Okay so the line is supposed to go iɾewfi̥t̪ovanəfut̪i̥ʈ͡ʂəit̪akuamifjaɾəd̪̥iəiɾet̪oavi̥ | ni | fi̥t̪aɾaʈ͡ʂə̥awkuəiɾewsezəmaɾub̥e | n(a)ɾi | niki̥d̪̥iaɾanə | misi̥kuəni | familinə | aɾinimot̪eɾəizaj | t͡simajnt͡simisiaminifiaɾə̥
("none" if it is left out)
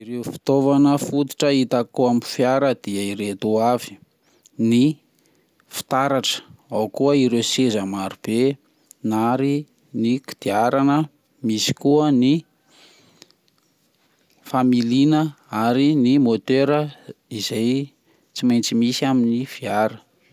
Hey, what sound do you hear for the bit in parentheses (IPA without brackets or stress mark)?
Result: a